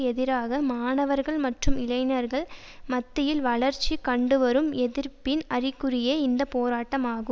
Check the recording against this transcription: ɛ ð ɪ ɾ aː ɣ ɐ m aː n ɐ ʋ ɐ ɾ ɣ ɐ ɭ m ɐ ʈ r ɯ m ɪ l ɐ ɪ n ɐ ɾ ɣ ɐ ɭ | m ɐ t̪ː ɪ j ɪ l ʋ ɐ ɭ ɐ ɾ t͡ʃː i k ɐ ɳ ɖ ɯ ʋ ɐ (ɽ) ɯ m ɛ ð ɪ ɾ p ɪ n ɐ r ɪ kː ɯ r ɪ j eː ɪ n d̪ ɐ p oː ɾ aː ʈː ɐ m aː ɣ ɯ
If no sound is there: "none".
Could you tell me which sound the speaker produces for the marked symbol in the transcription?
ɾ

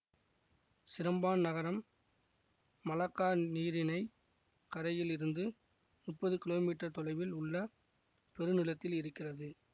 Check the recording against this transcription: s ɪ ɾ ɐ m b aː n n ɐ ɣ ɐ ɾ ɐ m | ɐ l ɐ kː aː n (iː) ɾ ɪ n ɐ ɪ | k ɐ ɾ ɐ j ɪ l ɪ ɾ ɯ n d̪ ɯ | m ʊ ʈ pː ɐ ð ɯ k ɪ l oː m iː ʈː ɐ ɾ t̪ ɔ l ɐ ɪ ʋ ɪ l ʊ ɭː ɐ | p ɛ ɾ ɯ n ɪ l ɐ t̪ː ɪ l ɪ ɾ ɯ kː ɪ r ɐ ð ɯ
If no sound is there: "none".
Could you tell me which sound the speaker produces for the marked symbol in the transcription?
iː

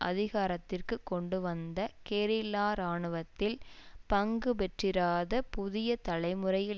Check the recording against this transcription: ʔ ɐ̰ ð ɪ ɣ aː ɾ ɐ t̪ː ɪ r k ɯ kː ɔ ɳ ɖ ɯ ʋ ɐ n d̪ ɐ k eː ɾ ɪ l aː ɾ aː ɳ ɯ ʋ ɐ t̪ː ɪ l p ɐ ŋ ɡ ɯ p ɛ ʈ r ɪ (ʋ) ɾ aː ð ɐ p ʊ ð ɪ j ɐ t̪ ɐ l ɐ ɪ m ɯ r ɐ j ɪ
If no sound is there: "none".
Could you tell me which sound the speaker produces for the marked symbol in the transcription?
none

